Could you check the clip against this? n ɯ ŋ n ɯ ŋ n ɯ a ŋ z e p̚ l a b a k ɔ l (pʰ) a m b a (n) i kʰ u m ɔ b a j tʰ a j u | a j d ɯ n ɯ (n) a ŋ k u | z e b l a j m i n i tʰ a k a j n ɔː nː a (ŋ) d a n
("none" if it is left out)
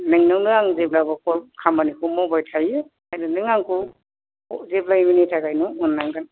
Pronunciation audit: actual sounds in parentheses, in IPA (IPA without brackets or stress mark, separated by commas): kʰ, n, ŋ, ŋ